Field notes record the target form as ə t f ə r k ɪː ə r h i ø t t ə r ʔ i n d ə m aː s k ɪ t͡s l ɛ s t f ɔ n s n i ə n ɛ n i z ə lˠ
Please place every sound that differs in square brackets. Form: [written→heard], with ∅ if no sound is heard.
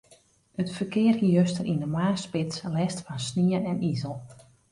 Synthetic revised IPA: ə t f ə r k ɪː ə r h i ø [t→s] t ə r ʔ i n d ə m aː s [k→p] ɪ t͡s l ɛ s t f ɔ n s n i ə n ɛ n i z ə lˠ